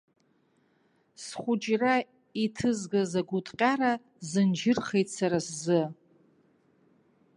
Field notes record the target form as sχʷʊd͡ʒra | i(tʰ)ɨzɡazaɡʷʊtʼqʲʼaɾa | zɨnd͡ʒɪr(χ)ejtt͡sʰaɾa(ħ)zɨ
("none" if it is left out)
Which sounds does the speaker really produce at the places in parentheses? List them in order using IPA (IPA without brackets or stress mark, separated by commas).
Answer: tʰ, χ, s